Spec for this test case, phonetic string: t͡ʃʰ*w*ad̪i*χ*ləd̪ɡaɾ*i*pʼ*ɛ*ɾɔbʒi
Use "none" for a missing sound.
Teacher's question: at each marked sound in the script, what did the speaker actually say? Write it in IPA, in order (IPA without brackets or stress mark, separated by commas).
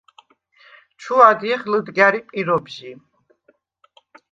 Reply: u, χ, i, i